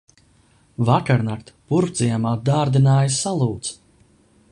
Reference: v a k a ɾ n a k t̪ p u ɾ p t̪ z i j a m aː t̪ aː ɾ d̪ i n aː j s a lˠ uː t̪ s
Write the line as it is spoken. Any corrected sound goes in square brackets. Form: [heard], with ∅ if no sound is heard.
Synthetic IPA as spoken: v a k a ɾ n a k t̪ p u ɾ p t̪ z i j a m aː [d̪] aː ɾ d̪ i n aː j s a lˠ uː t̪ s